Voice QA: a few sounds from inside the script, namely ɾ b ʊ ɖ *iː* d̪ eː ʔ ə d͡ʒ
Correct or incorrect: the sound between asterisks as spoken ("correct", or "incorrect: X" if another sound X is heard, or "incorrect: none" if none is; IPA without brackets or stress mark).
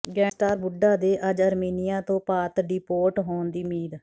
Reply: incorrect: aː